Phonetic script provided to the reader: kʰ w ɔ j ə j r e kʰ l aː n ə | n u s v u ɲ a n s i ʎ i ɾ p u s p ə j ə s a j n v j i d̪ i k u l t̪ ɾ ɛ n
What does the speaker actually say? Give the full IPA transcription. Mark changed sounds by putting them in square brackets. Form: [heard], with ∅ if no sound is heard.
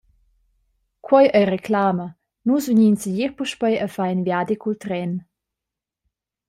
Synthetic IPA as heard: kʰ w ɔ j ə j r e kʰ l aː [m] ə | n u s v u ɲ [i] n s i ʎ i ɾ p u [ʃ] p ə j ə [f] a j n v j [a] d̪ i k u l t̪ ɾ ɛ n